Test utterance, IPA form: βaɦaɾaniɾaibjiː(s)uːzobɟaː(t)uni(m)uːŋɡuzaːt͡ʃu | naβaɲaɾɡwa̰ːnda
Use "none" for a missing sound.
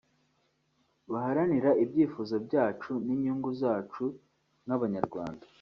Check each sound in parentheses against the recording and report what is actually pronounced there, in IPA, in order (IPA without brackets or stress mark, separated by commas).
f, t͡ʃ, ɲ